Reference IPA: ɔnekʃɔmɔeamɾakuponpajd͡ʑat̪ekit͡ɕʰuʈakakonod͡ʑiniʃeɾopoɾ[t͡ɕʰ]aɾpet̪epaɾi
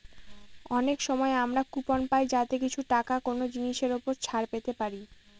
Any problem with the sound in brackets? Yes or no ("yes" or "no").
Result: no